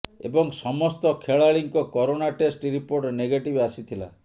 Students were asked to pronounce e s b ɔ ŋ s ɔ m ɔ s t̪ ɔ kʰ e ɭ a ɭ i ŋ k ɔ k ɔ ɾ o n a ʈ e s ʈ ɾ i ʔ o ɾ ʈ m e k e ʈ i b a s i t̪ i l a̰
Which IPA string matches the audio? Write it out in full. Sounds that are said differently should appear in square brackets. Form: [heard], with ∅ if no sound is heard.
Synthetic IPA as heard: e [∅] b ɔ ŋ s ɔ m ɔ s t̪ ɔ kʰ e ɭ a ɭ i ŋ k ɔ k ɔ ɾ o n a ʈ e s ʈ ɾ i [p] o ɾ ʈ [n] e [ɡ] e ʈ i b a s i [t̪ʰ] i l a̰